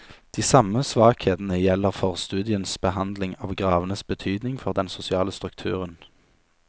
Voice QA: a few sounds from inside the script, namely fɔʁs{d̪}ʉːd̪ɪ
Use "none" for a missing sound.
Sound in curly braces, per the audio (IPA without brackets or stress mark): t̪